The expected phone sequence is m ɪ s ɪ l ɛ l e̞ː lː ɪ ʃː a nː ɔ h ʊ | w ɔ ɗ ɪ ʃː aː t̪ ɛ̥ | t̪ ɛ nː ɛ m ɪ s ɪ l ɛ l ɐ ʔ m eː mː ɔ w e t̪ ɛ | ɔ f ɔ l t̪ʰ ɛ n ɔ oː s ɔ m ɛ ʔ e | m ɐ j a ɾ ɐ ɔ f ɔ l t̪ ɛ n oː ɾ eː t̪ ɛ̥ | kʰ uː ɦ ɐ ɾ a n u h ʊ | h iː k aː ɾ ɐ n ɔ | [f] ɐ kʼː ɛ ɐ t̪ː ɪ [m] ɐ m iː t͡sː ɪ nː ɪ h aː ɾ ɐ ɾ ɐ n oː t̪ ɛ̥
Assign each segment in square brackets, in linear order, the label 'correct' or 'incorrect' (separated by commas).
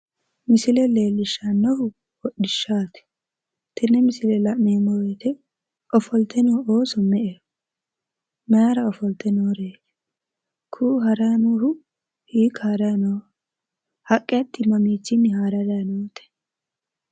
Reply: incorrect, correct